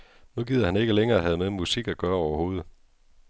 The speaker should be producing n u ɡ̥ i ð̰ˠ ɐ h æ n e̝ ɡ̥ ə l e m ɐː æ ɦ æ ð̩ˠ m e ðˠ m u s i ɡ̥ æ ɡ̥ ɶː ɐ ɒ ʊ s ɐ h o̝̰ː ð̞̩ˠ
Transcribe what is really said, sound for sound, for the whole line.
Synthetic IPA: n u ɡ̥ i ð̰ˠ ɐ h æ n e̝ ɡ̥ ə l e ŋ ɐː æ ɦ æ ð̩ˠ m e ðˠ m u s i ɡ̥ æ ɡ̥ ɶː ɐ ɒ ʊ ɐ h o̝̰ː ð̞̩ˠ